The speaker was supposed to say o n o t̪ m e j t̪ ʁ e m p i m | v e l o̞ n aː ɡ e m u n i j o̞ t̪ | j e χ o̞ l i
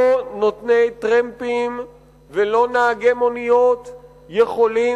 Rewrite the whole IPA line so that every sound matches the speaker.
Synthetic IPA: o n o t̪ n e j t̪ ʁ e m p i m | v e l o̞ n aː ɡ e m o n i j o̞ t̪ | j e χ o̞ l i